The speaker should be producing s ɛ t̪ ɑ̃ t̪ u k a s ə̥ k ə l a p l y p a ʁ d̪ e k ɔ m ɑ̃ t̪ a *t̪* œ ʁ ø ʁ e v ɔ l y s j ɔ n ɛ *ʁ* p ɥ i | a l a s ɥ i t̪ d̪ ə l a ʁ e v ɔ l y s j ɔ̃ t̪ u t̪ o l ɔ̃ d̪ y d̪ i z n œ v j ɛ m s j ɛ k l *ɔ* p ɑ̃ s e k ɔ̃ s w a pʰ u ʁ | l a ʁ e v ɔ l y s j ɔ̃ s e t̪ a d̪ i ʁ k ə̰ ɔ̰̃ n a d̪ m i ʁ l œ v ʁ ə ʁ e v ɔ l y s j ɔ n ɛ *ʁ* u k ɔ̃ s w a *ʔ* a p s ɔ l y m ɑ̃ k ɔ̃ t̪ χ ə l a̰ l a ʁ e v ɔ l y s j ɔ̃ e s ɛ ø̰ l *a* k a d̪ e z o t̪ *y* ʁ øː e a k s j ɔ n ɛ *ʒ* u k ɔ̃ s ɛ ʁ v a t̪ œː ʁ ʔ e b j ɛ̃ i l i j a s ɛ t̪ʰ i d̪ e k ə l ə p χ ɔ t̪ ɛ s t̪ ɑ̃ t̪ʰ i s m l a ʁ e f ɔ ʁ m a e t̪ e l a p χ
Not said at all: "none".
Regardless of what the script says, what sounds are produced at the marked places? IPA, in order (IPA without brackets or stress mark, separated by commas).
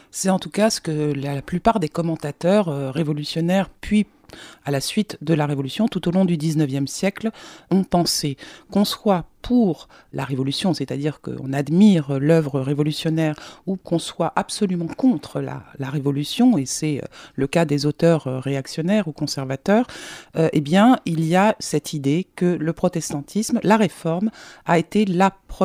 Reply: t̪, ʁ, ɔ̃, ʁ, ʔ, ə, œ, ʁ